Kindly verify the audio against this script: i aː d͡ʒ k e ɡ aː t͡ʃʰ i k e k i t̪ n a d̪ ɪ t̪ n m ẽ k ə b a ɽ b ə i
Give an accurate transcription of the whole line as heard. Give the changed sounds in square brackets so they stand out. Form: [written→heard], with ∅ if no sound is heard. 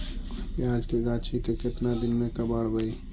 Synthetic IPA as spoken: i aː d͡ʒ k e ɡ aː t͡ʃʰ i k e k [i→ɪ] t̪ n a d̪ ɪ [t̪→∅] n m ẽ k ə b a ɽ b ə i